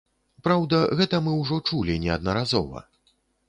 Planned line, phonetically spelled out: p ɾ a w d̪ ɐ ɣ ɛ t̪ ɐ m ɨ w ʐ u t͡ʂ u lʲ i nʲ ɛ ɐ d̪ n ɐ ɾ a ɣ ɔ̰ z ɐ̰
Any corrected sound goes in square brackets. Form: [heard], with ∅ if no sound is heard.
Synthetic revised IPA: p ɾ a w d̪ ɐ ɣ ɛ t̪ ɐ m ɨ w ʐ [ɔ] t͡ʂ u lʲ i nʲ ɛ ɐ d̪ n ɐ ɾ a [z] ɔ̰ [v] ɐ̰